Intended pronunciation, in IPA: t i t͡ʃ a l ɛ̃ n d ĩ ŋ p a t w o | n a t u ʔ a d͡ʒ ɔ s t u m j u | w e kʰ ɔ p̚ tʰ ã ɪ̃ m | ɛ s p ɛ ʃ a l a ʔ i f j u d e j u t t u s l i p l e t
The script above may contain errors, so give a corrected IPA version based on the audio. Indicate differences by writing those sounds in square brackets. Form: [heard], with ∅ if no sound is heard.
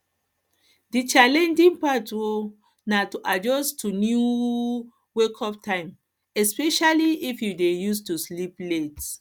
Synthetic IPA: [d] i t͡ʃ a l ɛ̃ n [d͡ʒ] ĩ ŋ p a t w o | n a t u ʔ a d͡ʒ ɔ s t u [n] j u | w e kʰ ɔ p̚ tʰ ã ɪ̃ m | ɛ s p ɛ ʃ a l [i] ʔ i f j u d e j u [s] t u s l i p l e t